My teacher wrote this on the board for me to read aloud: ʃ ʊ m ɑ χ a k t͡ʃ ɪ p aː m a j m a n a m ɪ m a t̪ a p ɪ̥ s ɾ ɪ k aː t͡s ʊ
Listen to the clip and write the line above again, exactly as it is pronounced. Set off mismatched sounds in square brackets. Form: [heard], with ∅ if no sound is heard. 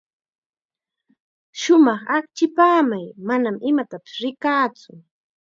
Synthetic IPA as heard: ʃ ʊ m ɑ χ a k t͡ʃ ɪ p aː m a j m a n a m ɪ m a t̪ a p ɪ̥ s ɾ ɪ k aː t͡s ʊ